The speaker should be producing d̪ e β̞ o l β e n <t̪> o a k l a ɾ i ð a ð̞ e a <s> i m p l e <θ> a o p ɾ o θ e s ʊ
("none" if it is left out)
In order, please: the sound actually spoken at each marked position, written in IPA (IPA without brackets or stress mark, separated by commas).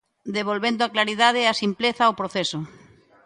d̪, s, θ